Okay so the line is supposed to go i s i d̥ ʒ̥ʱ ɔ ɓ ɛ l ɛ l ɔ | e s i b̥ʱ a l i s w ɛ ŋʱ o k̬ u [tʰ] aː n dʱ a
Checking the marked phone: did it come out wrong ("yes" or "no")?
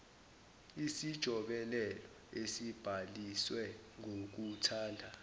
no